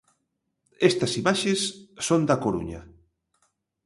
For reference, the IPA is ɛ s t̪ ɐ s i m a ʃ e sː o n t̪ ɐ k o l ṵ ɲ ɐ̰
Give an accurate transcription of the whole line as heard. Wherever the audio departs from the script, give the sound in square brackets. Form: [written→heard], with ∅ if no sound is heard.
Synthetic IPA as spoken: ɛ s t̪ ɐ s i m a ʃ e sː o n [t̪→d̪] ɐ k o [l→ɾ] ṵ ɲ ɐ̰